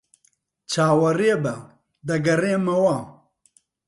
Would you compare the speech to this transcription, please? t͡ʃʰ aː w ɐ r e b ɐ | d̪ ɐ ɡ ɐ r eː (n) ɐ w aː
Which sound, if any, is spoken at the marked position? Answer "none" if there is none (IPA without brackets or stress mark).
m